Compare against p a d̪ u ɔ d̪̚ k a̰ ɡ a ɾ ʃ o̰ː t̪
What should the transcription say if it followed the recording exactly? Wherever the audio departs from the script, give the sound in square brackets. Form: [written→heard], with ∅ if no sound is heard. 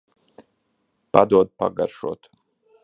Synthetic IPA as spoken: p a d̪ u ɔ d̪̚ [k→p] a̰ ɡ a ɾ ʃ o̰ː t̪